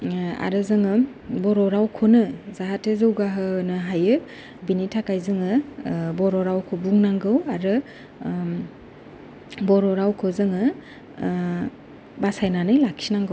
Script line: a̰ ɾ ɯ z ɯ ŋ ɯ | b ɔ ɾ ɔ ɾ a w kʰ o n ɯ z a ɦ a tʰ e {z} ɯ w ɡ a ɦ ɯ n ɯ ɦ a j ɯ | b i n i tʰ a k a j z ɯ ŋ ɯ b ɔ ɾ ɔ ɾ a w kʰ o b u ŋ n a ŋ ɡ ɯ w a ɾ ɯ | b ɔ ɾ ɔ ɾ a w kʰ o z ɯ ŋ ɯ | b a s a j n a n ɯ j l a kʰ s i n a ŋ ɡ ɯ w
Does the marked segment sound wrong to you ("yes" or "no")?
no